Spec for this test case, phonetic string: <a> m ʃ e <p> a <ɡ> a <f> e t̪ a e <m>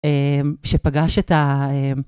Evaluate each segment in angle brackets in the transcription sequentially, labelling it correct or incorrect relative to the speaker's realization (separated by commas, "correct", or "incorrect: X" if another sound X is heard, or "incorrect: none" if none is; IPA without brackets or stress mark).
incorrect: e, correct, correct, incorrect: ʃ, correct